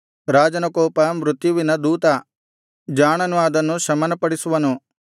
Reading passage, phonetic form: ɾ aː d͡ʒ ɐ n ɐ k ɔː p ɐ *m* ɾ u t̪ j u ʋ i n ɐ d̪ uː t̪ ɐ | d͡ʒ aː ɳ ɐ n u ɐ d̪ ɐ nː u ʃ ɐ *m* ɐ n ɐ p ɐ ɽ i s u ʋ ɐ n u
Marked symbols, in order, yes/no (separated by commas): yes, yes